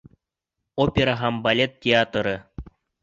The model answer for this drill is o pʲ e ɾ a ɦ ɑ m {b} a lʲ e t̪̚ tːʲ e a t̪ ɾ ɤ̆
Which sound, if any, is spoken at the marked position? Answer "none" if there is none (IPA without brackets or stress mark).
b